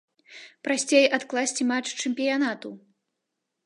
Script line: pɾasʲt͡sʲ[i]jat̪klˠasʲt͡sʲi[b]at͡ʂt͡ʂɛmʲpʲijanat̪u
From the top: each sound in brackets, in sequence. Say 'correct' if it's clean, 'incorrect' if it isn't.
incorrect: e, incorrect: m

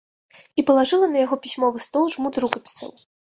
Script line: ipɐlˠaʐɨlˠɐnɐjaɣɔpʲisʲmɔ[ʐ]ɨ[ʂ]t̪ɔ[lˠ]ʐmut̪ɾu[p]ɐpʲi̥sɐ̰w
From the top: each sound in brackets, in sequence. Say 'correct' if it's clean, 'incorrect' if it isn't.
incorrect: v, incorrect: s, correct, incorrect: k

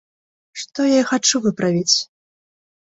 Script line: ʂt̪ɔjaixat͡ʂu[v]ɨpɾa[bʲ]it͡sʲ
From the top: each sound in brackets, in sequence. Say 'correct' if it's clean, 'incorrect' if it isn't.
correct, incorrect: vʲ

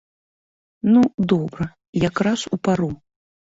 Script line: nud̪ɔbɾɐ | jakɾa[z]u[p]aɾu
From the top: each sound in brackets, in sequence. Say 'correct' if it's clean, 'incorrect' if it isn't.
incorrect: s, correct

